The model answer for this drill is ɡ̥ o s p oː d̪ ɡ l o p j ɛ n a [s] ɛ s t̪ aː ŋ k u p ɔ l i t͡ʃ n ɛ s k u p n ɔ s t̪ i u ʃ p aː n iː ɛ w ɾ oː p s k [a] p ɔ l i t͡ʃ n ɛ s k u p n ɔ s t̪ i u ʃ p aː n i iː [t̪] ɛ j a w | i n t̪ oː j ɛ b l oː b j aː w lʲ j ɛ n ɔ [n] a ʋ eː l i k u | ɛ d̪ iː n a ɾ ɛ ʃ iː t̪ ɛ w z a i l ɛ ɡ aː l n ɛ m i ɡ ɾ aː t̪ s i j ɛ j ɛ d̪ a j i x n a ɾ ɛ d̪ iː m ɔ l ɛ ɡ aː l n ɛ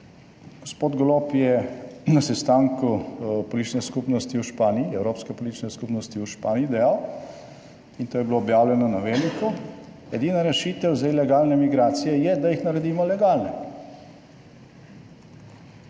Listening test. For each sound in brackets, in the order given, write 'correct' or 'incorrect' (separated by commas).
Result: correct, incorrect, incorrect, correct